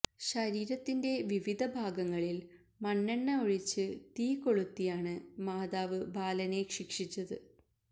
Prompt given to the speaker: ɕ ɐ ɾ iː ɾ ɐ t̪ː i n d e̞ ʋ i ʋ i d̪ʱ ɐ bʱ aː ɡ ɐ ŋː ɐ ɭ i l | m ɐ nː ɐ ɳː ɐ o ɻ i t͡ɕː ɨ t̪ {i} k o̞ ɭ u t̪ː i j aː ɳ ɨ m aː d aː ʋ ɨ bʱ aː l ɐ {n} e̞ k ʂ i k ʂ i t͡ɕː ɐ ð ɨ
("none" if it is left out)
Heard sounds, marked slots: iː, n

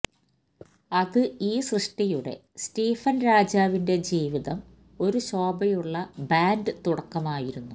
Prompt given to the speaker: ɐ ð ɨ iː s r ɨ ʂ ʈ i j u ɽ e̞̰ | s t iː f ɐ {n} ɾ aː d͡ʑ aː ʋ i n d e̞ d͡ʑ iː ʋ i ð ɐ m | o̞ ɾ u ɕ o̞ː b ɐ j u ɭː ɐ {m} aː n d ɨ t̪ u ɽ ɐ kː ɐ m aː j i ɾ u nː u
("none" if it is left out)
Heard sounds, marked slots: n, b

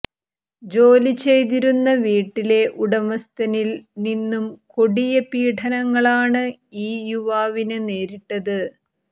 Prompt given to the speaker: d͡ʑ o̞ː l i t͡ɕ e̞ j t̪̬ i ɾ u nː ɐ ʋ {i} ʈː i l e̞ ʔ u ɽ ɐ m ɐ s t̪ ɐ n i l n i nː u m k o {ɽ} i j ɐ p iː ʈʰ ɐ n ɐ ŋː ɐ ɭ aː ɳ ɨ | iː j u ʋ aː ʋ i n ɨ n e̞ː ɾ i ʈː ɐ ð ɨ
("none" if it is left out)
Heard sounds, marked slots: iː, ɽ

